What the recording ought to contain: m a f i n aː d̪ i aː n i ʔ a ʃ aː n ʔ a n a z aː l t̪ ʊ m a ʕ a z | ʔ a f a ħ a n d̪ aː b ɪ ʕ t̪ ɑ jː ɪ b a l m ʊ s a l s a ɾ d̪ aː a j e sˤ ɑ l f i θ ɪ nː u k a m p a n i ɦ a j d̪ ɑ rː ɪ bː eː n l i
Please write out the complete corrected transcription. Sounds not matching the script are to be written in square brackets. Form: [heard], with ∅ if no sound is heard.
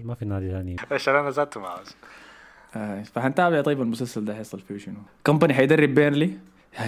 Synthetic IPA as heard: m a f i n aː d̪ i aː n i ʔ a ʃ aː n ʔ a n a z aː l t̪ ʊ m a ʕ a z | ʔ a f a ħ a n [t̪] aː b ɪ ʕ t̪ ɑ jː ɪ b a l m ʊ s a l s a [l] d̪ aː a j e sˤ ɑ l f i [ʃ] ɪ [n] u k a m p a n i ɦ a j d̪ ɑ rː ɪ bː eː n l i